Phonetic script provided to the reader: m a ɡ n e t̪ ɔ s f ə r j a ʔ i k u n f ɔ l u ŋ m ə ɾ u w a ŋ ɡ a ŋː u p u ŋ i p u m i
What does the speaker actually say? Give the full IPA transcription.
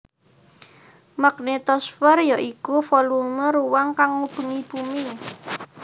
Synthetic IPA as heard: m a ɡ n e t̪ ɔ s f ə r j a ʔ i k u f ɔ l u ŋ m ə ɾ u w a ŋ k a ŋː u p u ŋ i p u m i